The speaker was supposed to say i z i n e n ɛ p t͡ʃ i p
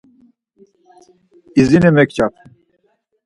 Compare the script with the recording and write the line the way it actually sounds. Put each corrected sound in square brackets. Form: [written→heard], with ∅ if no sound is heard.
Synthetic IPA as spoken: i z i n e [n→m] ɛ [p→k] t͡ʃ [i→a] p